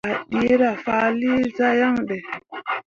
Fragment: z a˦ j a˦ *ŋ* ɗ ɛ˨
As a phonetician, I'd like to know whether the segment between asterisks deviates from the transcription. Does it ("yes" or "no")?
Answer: no